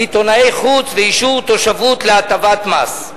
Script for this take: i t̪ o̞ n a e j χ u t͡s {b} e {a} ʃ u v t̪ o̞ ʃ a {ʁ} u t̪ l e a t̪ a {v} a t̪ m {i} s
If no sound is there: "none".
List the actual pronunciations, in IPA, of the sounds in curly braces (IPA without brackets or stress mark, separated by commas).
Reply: v, i, v, v, a